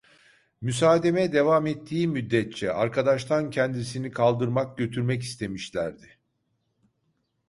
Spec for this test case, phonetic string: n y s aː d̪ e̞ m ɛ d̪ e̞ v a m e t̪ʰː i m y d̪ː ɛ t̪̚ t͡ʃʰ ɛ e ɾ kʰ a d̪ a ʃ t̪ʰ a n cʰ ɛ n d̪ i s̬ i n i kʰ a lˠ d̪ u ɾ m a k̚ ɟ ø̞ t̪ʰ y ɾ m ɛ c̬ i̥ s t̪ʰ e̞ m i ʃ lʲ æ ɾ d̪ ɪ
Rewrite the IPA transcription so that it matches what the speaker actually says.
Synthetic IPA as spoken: m y s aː d̪ e̞ m ɛ d̪ e̞ v a m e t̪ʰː iː m y d̪ː ɛ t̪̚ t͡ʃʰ ɛ a ɾ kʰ a d̪ a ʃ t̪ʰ a n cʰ ɛ n d̪ i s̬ i n i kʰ a lˠ d̪ ɯ ɾ m a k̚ ɟ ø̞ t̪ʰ y ɾ m ɛ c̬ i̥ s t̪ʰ e̞ m i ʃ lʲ æ ɾ d̪ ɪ